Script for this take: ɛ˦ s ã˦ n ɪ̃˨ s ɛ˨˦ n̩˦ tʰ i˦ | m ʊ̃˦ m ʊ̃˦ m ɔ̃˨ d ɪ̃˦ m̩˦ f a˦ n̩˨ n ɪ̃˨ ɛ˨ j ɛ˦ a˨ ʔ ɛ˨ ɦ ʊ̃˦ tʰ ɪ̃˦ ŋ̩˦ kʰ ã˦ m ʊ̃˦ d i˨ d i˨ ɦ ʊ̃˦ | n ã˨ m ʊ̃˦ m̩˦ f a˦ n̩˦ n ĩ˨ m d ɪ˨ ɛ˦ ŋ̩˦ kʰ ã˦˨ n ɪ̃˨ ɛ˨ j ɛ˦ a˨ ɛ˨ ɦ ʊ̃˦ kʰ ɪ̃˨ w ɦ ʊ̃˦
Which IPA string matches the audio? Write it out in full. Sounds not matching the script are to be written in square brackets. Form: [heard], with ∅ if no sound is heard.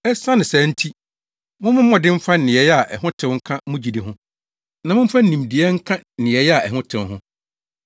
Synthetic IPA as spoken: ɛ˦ s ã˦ n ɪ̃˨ s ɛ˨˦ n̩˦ tʰ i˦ | m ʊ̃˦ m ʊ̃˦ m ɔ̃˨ d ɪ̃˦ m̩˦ f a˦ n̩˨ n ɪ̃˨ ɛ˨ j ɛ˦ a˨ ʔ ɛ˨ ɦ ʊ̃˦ tʰ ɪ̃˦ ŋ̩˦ kʰ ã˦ m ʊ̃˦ [d͡ʑ] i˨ d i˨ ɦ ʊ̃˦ | n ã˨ m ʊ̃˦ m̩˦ f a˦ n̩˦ n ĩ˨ m d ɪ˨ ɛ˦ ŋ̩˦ kʰ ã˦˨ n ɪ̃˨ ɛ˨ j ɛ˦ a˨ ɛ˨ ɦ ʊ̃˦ [tʰ] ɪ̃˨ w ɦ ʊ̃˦

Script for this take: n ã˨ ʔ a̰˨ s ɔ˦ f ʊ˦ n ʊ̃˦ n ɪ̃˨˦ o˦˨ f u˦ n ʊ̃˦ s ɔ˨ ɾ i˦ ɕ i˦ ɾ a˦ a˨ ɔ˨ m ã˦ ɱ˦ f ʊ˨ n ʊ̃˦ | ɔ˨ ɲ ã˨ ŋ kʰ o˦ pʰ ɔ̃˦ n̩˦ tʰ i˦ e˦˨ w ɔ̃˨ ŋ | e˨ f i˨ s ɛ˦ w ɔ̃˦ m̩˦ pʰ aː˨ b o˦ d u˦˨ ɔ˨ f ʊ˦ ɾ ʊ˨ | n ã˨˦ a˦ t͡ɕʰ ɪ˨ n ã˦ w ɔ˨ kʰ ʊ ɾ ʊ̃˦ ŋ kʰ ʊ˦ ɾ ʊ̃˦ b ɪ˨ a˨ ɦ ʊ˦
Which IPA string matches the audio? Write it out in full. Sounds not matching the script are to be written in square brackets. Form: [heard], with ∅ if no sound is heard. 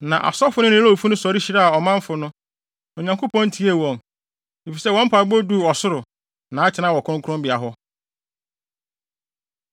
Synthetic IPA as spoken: n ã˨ ʔ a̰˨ s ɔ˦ f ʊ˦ n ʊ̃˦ n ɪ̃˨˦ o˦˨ f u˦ n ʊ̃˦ s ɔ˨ ɾ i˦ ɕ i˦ ɾ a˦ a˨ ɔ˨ m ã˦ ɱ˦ f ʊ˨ n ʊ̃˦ | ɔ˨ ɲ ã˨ ŋ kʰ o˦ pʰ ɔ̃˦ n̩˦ tʰ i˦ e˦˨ w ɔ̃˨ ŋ | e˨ f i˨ s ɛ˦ w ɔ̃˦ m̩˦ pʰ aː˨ b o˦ d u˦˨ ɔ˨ [s] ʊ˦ ɾ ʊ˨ | n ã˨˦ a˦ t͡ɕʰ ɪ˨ n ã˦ w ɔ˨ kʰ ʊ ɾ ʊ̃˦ ŋ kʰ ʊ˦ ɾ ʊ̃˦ b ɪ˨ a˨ ɦ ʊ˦

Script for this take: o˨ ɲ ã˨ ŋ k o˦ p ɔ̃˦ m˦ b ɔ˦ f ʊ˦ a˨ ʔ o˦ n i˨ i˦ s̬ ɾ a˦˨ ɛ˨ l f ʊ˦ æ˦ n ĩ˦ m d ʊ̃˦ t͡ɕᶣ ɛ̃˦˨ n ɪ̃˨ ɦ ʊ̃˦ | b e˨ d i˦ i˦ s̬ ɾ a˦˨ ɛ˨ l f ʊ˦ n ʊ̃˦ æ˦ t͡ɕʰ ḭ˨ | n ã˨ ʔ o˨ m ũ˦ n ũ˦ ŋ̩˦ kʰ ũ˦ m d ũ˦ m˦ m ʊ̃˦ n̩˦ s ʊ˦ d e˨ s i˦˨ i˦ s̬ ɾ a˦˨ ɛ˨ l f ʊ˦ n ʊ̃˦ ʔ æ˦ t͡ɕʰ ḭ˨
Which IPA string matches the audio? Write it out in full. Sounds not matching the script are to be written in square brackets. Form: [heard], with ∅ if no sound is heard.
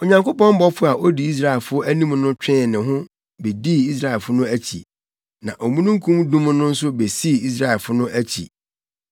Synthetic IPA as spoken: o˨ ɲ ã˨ ŋ k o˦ p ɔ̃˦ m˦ b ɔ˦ f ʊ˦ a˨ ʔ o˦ [d] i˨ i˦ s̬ ɾ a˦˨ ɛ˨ l f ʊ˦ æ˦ n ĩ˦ m [n] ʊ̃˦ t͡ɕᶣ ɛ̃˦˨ n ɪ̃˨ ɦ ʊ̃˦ | b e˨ d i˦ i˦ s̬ ɾ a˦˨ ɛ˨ l f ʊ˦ n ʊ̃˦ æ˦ t͡ɕʰ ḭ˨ | n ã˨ ʔ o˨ m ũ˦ n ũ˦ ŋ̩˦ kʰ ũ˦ m d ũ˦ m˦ [n] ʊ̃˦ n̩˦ s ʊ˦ [b] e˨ s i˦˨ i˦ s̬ ɾ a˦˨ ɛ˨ l f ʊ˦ n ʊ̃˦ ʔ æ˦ t͡ɕʰ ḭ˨

